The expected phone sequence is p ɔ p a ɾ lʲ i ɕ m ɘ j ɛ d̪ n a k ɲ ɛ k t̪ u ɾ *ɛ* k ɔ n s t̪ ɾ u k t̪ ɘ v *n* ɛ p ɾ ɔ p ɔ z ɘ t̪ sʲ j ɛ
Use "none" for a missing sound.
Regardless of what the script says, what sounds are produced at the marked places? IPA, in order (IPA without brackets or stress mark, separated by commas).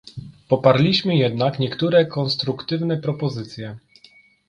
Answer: ɛ, n